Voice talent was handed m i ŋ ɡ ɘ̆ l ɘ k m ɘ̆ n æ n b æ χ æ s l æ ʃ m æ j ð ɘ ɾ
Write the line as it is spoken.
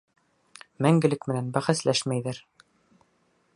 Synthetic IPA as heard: m æ ŋ ɡ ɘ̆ l ɘ k m ɘ̆ n æ n b æ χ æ s l æ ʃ m æ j ð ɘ ɾ